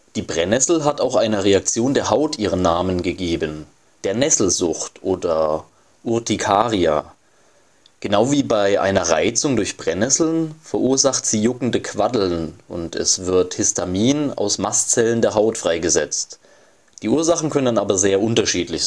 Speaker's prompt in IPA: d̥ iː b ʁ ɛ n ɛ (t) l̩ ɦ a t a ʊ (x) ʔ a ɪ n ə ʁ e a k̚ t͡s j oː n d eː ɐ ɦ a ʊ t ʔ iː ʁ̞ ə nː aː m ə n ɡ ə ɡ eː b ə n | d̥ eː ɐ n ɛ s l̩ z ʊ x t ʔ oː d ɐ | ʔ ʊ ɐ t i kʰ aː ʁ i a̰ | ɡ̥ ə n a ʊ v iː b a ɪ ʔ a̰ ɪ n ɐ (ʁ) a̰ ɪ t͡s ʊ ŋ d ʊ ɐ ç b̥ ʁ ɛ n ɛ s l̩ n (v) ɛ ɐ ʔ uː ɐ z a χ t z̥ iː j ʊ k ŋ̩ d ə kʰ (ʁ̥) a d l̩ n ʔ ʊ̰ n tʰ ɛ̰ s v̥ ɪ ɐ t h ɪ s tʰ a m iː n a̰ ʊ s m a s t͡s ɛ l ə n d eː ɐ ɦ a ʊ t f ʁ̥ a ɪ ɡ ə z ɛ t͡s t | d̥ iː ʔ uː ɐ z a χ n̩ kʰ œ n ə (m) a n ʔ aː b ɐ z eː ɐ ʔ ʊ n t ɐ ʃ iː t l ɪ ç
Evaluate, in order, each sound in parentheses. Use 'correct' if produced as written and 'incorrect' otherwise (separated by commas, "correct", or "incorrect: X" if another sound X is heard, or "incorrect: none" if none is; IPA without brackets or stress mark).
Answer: incorrect: s, correct, correct, incorrect: f, incorrect: v̥, incorrect: n